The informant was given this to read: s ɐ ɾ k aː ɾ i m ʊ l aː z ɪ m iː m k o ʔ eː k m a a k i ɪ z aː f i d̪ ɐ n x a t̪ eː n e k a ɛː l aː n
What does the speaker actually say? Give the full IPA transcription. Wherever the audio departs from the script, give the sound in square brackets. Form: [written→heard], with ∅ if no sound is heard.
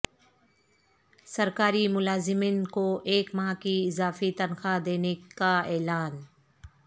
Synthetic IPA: s ɐ ɾ k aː ɾ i m ʊ l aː z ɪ m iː [m→n] k o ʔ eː k m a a k i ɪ z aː f i [d̪→t̪] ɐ n x a [t̪→d̪] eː n e k a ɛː l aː n